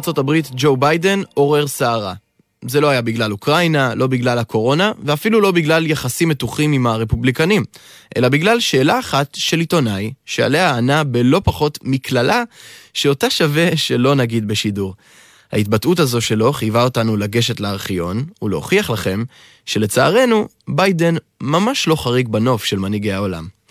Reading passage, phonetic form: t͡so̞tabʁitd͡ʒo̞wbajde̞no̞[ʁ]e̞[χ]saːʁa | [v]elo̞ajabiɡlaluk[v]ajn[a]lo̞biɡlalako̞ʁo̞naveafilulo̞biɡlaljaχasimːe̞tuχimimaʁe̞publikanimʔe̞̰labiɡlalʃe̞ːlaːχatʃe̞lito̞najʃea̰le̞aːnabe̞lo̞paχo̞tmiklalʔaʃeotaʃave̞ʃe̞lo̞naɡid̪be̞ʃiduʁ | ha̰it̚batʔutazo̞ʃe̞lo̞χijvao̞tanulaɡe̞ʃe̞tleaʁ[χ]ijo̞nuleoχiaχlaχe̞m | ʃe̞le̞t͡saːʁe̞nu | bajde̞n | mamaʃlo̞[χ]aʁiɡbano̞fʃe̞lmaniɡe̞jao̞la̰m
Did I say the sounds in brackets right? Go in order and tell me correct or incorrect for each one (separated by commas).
correct, incorrect, incorrect, incorrect, correct, correct, correct